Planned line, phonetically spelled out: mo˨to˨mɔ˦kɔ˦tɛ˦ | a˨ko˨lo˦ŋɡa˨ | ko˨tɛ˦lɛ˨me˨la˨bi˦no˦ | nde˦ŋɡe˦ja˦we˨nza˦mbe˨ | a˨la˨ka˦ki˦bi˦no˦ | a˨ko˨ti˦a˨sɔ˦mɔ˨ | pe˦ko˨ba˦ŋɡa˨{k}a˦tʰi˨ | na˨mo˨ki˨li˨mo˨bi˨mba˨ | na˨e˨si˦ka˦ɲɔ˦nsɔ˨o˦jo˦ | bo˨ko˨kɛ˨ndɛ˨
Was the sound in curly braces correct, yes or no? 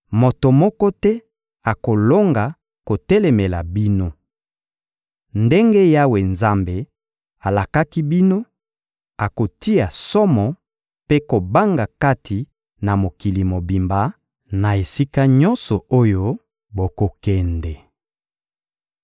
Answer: yes